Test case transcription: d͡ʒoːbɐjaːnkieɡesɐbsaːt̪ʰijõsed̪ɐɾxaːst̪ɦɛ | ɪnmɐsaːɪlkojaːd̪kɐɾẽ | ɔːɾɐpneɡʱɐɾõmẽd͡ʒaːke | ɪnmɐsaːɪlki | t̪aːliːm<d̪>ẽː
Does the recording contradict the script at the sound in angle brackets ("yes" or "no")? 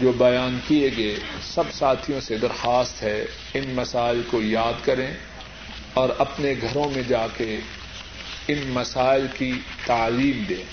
no